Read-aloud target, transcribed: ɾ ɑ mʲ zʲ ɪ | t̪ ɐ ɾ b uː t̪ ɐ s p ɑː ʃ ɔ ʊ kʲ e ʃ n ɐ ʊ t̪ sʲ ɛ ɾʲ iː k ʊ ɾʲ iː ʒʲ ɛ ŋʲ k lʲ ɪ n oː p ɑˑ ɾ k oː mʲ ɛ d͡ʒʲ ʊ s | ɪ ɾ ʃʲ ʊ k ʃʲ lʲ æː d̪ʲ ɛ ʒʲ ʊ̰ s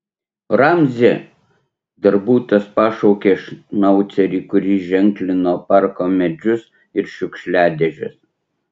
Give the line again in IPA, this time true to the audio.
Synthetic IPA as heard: ɾ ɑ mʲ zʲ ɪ | d̪ ɐ ɾ b uː t̪ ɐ s p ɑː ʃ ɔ ʊ kʲ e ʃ n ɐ ʊ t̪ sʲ ɛ ɾʲ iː k ʊ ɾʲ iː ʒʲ ɛ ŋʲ k lʲ ɪ n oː p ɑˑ ɾ k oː mʲ ɛ d͡ʒʲ ʊ s | ɪ ɾ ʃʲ ʊ k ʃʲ lʲ æː d̪ʲ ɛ ʒʲ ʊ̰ s

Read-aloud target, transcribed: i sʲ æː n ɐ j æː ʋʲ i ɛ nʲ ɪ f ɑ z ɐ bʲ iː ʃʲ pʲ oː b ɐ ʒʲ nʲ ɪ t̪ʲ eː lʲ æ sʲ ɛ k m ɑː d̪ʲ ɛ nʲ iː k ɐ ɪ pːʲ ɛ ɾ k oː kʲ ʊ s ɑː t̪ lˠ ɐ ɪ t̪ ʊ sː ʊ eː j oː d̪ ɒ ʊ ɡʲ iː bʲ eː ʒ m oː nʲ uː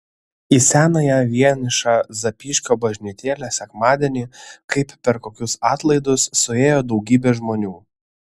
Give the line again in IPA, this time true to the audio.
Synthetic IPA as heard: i sʲ æː n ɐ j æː ʋʲ i ɛ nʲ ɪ ʃ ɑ z ɐ pʲ iː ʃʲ kʲ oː b ɐ ʒʲ nʲ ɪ t̪ʲ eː lʲ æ sʲ ɛ k m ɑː d̪ʲ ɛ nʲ iː k ɐ ɪ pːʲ ɛ ɾ k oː kʲ ʊ s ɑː t̪ lˠ ɐ ɪ d̪ ʊ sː ʊ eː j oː d̪ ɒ ʊ ɡʲ iː bʲ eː ʒ m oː nʲ uː

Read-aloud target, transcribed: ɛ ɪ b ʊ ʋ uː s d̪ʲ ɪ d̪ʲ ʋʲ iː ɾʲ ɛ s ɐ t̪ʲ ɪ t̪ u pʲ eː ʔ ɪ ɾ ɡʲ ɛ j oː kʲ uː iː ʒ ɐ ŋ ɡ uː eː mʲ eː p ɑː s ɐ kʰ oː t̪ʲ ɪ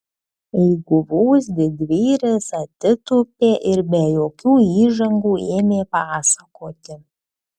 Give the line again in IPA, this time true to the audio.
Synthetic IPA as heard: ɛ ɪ ɡ ʊ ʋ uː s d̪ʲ ɪ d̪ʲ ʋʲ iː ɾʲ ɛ s ɐ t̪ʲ ɪ t̪ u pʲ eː ʔ ɪ ɾ bʲ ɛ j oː kʲ uː iː ʒ ɐ ŋ ɡ uː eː mʲ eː p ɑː s ɐ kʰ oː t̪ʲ ɪ

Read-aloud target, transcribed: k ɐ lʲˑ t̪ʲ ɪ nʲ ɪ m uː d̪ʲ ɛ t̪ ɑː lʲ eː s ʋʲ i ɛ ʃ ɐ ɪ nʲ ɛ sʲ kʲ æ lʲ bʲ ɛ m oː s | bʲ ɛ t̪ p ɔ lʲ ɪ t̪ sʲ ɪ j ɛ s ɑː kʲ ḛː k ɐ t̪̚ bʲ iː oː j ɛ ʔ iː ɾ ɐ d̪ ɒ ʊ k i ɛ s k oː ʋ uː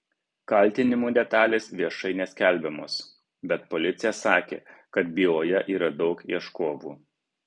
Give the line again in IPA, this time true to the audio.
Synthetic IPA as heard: k ɐ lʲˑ t̪ʲ ɪ nʲ ɪ m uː d̪ʲ ɛ t̪ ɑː lʲ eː s ʋʲ i ɛ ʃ ɐ ɪ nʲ ɛ sʲ kʲ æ lʲ bʲ ɛ m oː s | bʲ ɛ t̪ p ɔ lʲ ɪ t̪ sʲ ɪ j ɛ s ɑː kʲ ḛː k ɐ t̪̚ bʲ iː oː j ɛ ʔ iː ɾ ɐ d̪ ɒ ʊ k i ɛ ʃ k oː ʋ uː

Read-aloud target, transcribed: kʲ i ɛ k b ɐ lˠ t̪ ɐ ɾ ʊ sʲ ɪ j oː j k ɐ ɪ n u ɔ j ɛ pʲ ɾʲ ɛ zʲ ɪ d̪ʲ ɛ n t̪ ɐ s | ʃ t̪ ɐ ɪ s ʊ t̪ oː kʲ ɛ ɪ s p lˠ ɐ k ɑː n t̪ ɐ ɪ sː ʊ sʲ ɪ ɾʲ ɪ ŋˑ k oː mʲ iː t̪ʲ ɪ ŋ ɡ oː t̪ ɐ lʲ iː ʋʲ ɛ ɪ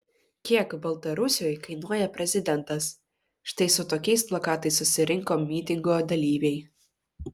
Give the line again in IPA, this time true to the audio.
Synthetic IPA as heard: kʲ i ɛ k b ɐ lˠ t̪ ɐ ɾ ʊ sʲ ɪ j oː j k ɐ ɪ n u ɔ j ɛ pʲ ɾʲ ɛ zʲ ɪ d̪ʲ ɛ n t̪ ɐ s | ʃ t̪ ɐ ɪ s ʊ t̪ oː kʲ ɛ ɪ s p lˠ ɐ k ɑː t̪ ɐ ɪ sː ʊ sʲ ɪ ɾʲ ɪ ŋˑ k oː mʲ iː t̪ʲ ɪ ŋ ɡ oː d̪ ɐ lʲ iː ʋʲ ɛ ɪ

